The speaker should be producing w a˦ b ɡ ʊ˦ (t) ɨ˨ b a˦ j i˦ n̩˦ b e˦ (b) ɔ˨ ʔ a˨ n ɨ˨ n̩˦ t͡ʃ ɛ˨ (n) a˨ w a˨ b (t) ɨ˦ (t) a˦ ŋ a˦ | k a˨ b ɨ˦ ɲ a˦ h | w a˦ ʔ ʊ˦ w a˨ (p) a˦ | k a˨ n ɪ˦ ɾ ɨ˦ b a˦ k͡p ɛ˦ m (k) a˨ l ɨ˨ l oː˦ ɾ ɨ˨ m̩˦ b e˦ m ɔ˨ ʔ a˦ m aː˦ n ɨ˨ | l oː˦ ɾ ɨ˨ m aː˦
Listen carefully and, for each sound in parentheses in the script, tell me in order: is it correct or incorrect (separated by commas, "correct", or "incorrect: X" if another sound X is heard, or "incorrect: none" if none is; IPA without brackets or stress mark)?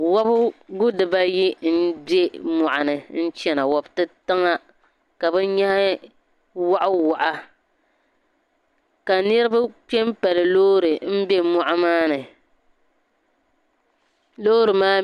incorrect: d, incorrect: m, correct, correct, correct, incorrect: ʔ, incorrect: p